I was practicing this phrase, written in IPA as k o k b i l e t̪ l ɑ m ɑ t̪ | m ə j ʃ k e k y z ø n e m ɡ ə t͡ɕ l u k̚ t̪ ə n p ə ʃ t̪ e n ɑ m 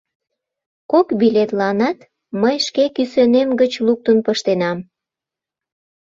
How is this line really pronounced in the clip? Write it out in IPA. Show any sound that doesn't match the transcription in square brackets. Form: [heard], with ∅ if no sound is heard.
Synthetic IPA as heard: k o k b i l e t̪ l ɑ [n] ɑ t̪ | m ə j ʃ k e k y [s] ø n e m ɡ ə t͡ɕ l u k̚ t̪ ə n p ə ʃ t̪ e n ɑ m

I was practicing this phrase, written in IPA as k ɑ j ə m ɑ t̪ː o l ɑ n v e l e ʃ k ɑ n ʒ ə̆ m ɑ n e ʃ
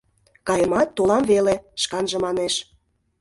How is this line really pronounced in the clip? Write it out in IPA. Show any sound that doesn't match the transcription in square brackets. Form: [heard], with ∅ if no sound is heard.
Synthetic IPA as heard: k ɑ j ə m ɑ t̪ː o l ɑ [m] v e l e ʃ k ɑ n ʒ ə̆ m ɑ n e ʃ

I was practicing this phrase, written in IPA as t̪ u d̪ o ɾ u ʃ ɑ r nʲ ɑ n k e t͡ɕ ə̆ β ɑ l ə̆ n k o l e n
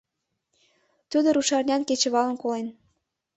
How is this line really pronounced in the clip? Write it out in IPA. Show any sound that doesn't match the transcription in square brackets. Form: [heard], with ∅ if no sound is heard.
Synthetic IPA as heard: t̪ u d̪ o ɾ u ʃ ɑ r nʲ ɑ n k e t͡ɕ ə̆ β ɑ l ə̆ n k o l e n

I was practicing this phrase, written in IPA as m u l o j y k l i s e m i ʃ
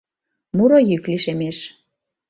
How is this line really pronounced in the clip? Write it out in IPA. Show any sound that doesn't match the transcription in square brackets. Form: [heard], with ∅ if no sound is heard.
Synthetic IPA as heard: m u [ɾ] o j y k l i [ʃ] e m [e] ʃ

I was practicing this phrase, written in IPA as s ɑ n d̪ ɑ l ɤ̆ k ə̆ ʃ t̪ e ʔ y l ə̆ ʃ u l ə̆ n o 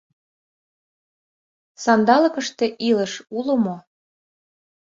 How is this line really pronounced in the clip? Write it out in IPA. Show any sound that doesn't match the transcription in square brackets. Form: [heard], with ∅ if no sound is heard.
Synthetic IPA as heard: s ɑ n d̪ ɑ l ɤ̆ k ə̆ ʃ t̪ e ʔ [i] l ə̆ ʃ u l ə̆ [m] o

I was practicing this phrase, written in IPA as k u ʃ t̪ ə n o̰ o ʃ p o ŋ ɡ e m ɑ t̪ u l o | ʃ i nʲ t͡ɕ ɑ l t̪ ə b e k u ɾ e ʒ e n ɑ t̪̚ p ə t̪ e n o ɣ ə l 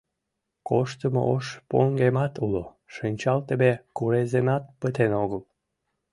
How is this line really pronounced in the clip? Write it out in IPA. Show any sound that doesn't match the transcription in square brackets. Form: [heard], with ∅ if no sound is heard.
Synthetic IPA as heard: k [o] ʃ t̪ ə [m] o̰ o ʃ p o ŋ ɡ e m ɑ t̪ u l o | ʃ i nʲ t͡ɕ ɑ l t̪ ə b e k u ɾ e [z] e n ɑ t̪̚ p ə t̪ e n o ɣ ə l

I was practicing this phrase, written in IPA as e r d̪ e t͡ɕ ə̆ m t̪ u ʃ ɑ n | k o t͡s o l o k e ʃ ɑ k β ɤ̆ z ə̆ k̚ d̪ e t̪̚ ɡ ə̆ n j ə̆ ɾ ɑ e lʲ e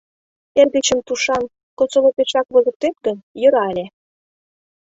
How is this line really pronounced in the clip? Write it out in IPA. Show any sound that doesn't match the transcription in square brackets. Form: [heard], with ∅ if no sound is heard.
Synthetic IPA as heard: e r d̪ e t͡ɕ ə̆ m t̪ u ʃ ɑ n | k o t͡s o l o [p] e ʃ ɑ k β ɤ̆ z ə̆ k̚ [t̪] e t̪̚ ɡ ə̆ n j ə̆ ɾ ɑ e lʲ e

